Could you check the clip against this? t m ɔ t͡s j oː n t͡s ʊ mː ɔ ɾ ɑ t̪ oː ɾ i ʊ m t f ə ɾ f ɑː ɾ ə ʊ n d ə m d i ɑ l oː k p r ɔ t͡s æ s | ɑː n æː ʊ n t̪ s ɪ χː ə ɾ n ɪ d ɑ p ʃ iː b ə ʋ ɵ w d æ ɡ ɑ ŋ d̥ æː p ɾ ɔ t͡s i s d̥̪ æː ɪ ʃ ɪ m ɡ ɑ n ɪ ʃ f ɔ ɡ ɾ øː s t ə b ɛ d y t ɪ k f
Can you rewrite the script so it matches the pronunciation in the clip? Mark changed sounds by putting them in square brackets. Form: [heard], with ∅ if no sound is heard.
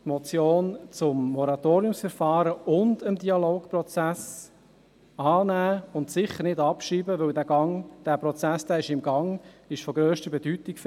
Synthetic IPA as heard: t m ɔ t͡s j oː n t͡s ʊ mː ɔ ɾ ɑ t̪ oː ɾ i ʊ m [s] f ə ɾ f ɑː ɾ ə ʊ n d ə m d i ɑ l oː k p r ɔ t͡s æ s | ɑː n æː ʊ n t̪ s ɪ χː ə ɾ n ɪ d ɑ p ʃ iː b ə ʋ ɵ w d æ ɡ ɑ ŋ d̥ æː p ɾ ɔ t͡s [æ] s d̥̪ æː ɪ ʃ ɪ m ɡ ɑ [ŋ] ɪ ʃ f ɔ ɡ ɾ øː [ʃ] t ə b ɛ d y t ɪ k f

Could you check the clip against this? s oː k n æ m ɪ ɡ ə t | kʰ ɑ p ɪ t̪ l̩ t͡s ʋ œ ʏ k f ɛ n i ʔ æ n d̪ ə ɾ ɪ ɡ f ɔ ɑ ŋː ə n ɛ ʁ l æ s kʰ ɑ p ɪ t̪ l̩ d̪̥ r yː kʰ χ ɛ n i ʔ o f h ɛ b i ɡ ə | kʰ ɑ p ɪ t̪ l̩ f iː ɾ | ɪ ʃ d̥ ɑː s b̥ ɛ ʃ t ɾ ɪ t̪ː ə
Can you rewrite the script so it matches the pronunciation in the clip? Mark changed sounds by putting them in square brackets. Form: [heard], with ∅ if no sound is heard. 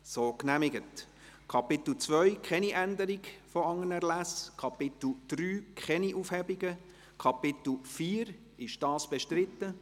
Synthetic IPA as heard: s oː k n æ m ɪ ɡ ə t | kʰ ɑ p ɪ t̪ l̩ t͡s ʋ œ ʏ k [χ] ɛ n i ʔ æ n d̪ ə ɾ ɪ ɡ f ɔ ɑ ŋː ə n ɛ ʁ l æ s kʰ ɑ p ɪ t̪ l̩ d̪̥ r yː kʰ χ ɛ n i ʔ [u] f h ɛ b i ɡ ə | kʰ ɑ p ɪ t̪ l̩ f iː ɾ | ɪ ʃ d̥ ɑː s b̥ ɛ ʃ t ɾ ɪ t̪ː ə

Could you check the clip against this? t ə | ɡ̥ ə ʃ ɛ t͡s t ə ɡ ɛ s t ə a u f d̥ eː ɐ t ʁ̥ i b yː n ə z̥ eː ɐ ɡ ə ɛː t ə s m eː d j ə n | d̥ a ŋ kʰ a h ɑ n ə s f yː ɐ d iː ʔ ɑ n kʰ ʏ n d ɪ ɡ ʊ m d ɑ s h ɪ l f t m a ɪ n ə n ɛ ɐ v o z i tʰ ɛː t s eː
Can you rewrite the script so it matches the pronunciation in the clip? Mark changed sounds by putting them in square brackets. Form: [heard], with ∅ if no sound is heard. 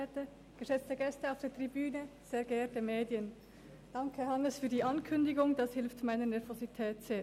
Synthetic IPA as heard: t ə | ɡ̥ ə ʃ ɛ t͡s t ə ɡ ɛ s t ə a [ʊ] f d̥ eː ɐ t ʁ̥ i b yː n ə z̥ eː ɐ ɡ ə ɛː t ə [∅] m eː d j ə n | d̥ [ɑ] ŋ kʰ [ə] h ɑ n ə s f yː ɐ d iː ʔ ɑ n kʰ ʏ n d ɪ ɡ ʊ [ŋ] d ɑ s h ɪ l f t m a ɪ n ə n ɛ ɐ v o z i tʰ ɛː t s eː

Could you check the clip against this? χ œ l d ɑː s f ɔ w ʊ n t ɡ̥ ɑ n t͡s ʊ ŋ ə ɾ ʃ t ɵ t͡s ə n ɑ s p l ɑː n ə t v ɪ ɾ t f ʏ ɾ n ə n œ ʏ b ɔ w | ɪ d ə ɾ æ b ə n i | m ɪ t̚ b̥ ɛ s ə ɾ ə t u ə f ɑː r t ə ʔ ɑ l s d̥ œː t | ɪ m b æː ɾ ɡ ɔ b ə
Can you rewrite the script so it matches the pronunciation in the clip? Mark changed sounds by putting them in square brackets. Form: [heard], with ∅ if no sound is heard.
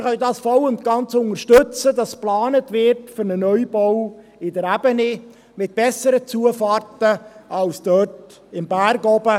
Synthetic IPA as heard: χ œ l d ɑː s f ɔ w ʊ n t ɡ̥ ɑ n t͡s ʊ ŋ ə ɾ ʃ t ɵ t͡s ə [d] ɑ s p l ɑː n ə t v ɪ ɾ t f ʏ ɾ n ə n œ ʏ b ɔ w | ɪ d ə ɾ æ b ə n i | m ɪ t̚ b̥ ɛ s ə ɾ ə [t͡s] u ə f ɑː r t ə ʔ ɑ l s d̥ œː t | ɪ m b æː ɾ ɡ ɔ b ə

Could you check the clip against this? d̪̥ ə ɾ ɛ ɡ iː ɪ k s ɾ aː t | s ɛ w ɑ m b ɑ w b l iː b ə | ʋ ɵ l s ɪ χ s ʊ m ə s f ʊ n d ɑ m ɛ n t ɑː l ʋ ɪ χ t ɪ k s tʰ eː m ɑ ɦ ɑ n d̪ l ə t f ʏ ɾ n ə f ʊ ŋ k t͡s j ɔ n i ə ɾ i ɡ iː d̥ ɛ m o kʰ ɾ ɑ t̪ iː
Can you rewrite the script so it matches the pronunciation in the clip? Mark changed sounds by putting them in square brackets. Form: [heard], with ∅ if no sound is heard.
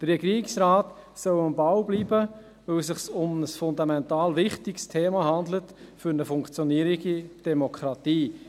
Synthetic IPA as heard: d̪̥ ə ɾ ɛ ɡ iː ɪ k s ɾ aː t | s [œ] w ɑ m b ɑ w b l iː b ə | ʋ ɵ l s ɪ χ s ʊ m ə s f ʊ n d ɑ m ɛ n t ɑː l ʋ ɪ χ t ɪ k s tʰ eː m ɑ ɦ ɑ n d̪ l ə t f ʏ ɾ n ə f ʊ ŋ k t͡s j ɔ n i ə ɾ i ɡ [i] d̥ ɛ m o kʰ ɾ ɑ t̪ iː

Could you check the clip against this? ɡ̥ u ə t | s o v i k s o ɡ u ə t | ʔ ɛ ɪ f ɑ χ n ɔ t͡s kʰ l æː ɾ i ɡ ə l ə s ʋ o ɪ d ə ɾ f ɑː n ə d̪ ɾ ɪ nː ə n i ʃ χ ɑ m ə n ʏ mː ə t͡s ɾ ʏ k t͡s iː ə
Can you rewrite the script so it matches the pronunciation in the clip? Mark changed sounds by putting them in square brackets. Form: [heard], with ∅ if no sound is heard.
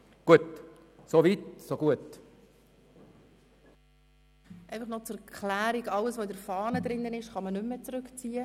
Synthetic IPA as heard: ɡ̥ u ə t | s o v i [t] s o ɡ u ə t | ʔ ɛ ɪ f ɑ χ n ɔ t͡s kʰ l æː ɾ i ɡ [ɑ] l ə s ʋ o ɪ d ə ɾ f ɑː n ə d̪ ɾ ɪ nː ə n [ɪ] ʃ χ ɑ m ə n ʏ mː ə t͡s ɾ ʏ k t͡s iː ə

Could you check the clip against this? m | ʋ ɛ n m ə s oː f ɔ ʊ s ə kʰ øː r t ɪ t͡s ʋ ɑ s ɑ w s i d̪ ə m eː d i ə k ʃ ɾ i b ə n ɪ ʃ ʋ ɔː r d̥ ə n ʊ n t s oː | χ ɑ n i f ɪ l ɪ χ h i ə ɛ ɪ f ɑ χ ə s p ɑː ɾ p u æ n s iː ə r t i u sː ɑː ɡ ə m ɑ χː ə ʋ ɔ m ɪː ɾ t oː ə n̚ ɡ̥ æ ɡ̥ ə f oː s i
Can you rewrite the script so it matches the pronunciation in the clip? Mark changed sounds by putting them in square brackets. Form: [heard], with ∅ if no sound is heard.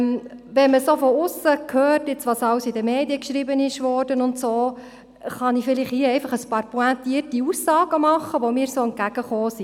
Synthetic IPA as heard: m | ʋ ɛ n m ə s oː f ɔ ʊ s ə kʰ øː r t ɪ t͡s ʋ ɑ s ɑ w s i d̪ ə m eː d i ə k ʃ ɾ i b ə n ɪ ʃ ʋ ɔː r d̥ ə n ʊ n t s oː | χ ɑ n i f ɪ l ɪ χ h i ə ɛ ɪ f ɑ χ ə s p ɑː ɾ p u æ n [t] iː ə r t i u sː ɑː ɡ ə m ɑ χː ə ʋ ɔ m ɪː ɾ [s] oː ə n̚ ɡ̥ æ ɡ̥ ə [χ] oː s i

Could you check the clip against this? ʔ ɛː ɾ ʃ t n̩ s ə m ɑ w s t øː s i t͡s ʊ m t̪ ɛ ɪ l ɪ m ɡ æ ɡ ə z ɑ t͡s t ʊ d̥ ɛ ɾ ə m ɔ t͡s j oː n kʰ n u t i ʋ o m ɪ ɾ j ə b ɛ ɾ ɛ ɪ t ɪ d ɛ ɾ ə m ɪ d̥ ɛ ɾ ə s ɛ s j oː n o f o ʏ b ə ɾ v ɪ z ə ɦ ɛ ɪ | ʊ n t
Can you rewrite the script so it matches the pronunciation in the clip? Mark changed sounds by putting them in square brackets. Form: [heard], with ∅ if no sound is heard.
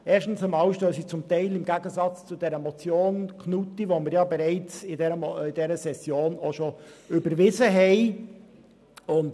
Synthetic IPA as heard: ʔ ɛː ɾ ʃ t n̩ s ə m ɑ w [ʃ] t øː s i t͡s ʊ m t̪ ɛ ɪ l ɪ m ɡ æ ɡ ə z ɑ t͡s [t͡s] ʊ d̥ ɛ ɾ ə m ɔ t͡s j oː n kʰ n u t i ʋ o m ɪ ɾ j [ɑ] b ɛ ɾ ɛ ɪ [t͡s] ɪ d ɛ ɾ ə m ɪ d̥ ɛ ɾ ə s ɛ s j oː n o [ʃ] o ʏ b ə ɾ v ɪ z ə ɦ ɛ ɪ | ʊ n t

